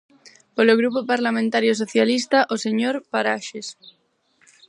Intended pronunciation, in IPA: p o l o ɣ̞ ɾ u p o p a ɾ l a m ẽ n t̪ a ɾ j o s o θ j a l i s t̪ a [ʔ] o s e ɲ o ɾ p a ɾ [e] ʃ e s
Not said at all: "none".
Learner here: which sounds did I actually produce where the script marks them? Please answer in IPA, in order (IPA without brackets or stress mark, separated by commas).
ʔ, a